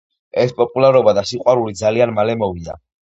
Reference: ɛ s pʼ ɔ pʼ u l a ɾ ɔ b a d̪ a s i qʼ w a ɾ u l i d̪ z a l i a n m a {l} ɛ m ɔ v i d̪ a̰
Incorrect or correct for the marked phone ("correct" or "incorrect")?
correct